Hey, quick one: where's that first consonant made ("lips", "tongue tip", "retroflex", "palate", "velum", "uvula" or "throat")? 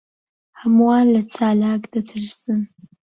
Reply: lips